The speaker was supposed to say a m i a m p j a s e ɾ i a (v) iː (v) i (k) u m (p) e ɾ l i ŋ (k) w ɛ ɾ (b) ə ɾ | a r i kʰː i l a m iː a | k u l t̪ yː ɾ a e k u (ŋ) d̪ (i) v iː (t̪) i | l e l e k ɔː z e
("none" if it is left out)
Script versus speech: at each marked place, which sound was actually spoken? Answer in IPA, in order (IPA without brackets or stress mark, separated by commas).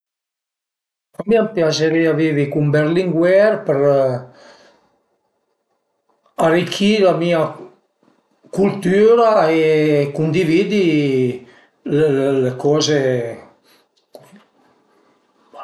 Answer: v, v, k, b, ɡ, p, n, i, d̪